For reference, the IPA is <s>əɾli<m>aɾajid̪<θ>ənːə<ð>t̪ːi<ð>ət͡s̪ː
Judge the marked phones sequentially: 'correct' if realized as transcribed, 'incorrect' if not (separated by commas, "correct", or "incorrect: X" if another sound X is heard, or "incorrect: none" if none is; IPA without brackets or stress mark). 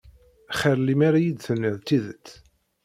incorrect: χ, correct, correct, correct, correct